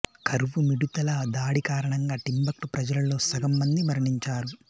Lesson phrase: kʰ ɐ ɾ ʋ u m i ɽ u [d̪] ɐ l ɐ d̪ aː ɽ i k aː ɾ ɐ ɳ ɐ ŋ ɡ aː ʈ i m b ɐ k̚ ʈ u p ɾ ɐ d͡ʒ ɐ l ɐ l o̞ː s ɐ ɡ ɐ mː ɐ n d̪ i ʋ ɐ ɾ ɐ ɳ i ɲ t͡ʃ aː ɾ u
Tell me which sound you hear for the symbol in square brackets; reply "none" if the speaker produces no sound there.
t̪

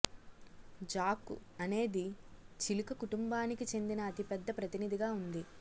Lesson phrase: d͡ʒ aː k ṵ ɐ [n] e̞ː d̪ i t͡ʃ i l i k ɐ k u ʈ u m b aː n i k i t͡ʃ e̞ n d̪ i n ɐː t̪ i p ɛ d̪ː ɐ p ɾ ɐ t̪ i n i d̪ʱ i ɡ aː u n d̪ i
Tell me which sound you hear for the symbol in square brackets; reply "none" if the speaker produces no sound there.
n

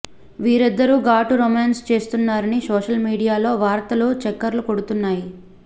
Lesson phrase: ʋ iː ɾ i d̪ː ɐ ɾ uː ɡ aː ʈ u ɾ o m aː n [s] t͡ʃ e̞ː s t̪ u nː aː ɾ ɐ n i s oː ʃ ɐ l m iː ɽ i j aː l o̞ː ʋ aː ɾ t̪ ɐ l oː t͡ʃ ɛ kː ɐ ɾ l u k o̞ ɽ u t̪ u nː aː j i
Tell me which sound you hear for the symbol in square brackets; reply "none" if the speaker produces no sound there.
s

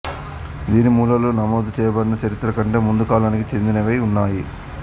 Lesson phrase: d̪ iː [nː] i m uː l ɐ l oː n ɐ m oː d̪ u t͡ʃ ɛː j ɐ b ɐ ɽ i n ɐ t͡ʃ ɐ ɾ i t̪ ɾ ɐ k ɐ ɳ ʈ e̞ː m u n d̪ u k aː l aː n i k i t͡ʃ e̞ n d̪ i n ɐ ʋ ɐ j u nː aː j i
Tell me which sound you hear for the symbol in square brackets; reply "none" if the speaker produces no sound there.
n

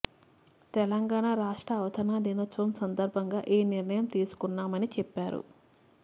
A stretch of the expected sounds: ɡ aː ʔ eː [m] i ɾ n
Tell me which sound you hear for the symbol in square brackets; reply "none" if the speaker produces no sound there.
n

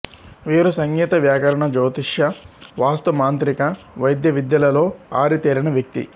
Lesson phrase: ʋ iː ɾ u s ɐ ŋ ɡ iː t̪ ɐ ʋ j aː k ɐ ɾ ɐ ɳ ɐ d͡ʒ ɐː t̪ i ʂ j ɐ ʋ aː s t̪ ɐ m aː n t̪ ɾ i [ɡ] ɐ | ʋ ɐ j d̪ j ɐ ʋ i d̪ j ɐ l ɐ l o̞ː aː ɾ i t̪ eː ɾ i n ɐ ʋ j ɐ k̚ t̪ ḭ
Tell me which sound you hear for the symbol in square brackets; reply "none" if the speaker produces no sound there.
k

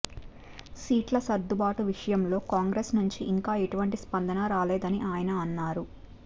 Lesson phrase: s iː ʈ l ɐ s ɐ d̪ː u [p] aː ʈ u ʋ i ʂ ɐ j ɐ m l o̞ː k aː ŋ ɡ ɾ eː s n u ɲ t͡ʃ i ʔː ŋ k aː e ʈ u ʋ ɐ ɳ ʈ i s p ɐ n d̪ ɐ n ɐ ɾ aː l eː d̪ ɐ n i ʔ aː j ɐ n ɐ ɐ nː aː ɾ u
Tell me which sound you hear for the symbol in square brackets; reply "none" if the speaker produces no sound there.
b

